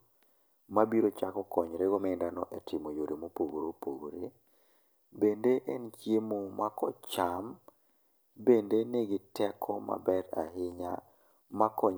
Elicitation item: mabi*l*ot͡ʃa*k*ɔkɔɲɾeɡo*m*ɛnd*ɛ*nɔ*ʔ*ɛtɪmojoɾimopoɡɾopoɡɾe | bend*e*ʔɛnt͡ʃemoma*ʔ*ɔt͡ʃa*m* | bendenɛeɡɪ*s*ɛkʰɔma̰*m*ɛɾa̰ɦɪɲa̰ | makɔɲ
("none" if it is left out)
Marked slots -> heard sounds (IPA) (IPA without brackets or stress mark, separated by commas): ɾ, k, m, a, ʔ, e, k, m, t, b